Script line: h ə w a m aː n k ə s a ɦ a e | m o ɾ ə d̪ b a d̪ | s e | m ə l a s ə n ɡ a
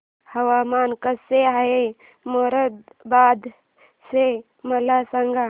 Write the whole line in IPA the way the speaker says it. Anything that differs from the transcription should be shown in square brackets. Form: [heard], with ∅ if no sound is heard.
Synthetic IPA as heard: h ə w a m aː n k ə s [e] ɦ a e | m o ɾ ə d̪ b a d̪ | s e | m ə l a s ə [ŋ] ɡ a